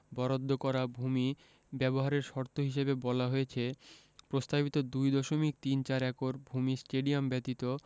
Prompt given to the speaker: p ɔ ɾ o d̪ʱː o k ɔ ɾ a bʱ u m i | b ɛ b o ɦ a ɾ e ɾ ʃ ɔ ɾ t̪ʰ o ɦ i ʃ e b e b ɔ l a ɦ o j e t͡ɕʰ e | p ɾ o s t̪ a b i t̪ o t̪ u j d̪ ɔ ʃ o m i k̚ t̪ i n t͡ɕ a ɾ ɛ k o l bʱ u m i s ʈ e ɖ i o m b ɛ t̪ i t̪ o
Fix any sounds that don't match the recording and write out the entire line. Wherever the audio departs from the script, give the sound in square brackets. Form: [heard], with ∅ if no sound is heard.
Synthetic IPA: [b] ɔ ɾ o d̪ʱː o k ɔ ɾ a bʱ u m i | b ɛ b o ɦ a ɾ e ɾ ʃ ɔ ɾ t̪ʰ o ɦ i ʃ e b e b ɔ l a ɦ o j e t͡ɕʰ e | p ɾ o s t̪ a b i t̪ o [d̪] u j d̪ ɔ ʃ o m i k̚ t̪ i n t͡ɕ a ɾ ɛ k o [ɾ] bʱ u m i s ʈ e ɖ i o m b ɛ t̪ i t̪ o